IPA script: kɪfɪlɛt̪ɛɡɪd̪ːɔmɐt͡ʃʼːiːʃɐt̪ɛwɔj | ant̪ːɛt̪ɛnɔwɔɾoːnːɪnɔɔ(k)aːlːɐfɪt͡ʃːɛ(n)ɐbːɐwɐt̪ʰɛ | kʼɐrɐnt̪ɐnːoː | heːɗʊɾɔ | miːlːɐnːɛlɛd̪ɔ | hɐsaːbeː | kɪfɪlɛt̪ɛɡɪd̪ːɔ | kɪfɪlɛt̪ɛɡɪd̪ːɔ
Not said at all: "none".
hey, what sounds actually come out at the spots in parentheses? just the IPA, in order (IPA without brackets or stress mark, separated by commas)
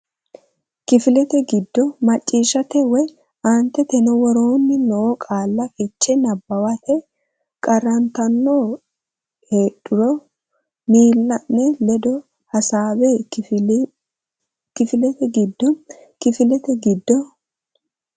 kʼ, n